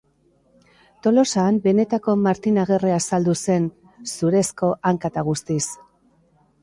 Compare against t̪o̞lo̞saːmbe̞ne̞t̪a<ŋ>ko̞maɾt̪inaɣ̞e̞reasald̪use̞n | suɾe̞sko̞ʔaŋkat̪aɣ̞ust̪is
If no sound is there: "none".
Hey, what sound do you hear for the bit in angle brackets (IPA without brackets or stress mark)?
none